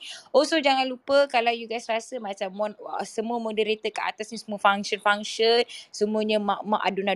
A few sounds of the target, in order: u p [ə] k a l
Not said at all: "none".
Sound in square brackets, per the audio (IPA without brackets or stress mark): ə